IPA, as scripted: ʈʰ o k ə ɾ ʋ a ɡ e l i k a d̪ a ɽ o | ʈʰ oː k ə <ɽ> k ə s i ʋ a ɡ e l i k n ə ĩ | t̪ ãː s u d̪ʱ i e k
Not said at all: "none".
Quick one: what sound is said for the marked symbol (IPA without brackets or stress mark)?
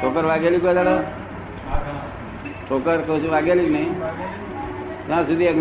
ɾ